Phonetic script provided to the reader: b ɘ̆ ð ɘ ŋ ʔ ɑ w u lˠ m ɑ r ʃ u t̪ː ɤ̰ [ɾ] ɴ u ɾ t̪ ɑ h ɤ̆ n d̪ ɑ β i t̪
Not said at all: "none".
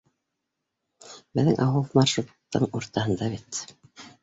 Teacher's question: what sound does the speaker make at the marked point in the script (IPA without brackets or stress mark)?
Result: none